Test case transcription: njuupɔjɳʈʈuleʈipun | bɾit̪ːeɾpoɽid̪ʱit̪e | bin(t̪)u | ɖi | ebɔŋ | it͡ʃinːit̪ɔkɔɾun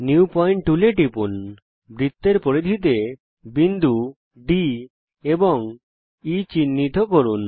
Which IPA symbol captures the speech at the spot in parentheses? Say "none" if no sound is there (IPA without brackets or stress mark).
d̪